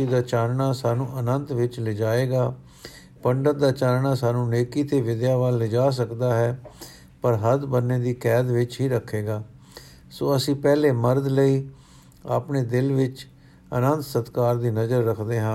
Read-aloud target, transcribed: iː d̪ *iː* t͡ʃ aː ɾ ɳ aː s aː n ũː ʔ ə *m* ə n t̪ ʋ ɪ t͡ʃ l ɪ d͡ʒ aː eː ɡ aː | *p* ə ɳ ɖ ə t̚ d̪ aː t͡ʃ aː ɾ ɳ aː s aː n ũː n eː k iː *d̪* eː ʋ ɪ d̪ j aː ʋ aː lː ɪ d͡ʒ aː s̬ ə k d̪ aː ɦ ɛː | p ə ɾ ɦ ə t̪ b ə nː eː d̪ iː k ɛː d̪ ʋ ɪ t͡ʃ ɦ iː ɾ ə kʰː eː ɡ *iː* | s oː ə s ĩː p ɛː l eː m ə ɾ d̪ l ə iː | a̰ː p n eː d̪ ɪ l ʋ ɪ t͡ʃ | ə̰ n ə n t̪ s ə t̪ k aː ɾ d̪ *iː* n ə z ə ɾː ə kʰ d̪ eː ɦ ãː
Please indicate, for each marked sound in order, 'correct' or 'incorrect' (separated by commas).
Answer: incorrect, incorrect, correct, incorrect, incorrect, correct